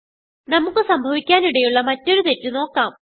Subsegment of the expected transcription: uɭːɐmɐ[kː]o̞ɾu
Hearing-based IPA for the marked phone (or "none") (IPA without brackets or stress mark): tː